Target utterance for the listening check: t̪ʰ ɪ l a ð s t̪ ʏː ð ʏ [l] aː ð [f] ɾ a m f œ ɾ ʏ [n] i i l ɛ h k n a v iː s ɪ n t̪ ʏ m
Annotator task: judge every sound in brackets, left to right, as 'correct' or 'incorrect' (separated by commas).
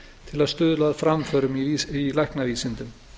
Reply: correct, correct, incorrect